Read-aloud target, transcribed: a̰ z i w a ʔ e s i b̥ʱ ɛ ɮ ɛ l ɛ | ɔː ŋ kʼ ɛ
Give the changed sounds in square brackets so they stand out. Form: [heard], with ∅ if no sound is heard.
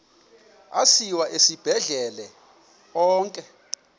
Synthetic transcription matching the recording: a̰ [s] i w a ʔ e s i b̥ʱ ɛ ɮ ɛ l ɛ | ɔː ŋ kʼ ɛ